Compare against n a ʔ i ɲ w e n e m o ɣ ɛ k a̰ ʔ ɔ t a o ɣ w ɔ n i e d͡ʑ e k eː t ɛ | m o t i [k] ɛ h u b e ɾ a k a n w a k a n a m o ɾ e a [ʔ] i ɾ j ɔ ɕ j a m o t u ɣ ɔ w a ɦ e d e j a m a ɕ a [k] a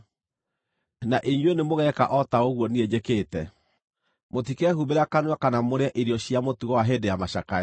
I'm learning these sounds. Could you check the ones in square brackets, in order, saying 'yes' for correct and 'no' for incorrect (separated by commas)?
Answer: yes, yes, yes